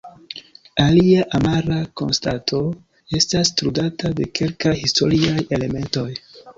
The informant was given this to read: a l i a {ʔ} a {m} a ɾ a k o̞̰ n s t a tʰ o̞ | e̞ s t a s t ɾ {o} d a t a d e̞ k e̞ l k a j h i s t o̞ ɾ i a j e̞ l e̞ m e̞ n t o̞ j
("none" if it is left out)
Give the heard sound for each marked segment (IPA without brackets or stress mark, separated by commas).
ʔ, m, u